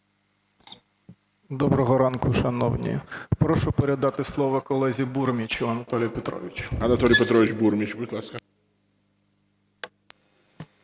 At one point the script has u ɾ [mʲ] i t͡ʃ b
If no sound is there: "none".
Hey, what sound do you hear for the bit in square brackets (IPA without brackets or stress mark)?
mʲ